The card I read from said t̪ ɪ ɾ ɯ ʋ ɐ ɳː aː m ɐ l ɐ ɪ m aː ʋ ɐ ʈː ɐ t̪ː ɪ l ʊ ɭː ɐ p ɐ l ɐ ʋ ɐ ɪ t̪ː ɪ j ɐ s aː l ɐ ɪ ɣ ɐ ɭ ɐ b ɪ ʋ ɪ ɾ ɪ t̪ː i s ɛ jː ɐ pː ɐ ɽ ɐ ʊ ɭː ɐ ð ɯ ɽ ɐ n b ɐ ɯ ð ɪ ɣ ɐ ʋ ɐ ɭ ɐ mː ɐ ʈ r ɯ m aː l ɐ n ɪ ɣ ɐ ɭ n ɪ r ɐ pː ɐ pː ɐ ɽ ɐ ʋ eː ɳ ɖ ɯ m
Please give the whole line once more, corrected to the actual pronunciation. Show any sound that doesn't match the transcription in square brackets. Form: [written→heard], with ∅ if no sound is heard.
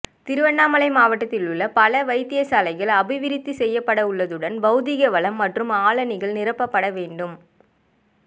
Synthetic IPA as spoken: t̪ ɪ ɾ ɯ ʋ ɐ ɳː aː m ɐ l ɐ ɪ m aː ʋ ɐ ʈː ɐ t̪ː ɪ l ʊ ɭː ɐ p ɐ l ɐ ʋ ɐ ɪ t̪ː ɪ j ɐ s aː l ɐ ɪ ɣ ɐ ɭ ɐ b ɪ ʋ ɪ ɾ ɪ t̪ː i s ɛ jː ɐ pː ɐ ɽ ɐ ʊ ɭː ɐ ð ɯ ɽ ɐ n b ɐ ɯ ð ɪ ɣ ɐ ʋ ɐ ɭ ɐ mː ɐ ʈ r ɯ m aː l ɐ n ɪ ɣ ɐ ɭ n ɪ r ɐ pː ɐ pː ɐ ɽ ɐ ʋ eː ɳ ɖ ɯ m